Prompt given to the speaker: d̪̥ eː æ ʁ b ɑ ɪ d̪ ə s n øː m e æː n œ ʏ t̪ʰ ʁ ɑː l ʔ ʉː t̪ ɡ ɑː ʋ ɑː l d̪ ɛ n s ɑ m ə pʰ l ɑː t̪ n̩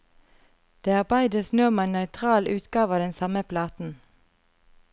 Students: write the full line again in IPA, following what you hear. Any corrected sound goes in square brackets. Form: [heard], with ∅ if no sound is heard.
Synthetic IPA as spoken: d̪̥ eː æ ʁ b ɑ ɪ d̪ ə s n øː m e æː n œ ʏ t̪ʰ ʁ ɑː l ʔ ʉː t̪ ɡ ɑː ʋ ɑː [∅] d̪ ɛ n s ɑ m ə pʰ l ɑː t̪ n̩